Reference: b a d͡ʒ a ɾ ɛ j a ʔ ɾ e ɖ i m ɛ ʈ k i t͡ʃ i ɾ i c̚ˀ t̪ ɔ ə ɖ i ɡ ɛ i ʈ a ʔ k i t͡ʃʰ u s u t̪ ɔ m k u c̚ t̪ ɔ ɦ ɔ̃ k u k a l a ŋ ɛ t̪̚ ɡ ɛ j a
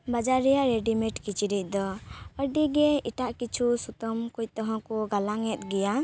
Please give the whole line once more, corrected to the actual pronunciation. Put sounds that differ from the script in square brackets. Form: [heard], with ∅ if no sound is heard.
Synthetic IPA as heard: b a d͡ʒ a ɾ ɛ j a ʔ ɾ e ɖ i m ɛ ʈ k i t͡ʃ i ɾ i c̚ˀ [d̪] ɔ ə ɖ i ɡ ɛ i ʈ a ʔ k i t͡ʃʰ u s u t̪ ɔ m k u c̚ t̪ ɔ ɦ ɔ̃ k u [ɡ] a l a ŋ ɛ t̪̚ ɡ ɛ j a